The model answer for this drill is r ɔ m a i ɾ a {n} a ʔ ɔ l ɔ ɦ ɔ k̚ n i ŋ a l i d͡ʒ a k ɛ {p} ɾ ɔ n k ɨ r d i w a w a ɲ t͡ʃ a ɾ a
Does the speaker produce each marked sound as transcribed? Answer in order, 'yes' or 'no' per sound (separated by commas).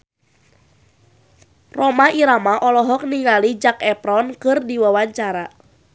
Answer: no, yes